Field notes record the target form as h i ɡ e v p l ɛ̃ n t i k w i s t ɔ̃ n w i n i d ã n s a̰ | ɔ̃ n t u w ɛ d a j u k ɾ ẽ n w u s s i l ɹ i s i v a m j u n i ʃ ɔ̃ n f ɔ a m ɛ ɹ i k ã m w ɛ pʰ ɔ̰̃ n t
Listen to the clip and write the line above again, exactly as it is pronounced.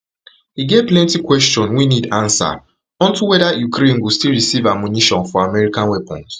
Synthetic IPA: h i ɡ e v p l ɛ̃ n t i k w ɛ s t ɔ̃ n w i n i d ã n s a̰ | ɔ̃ n t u w ɛ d a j u k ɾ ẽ n w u s t i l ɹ i s i v a m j u n i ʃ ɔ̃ n f ɔ a m ɛ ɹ i k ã n w ɛ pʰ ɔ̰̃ n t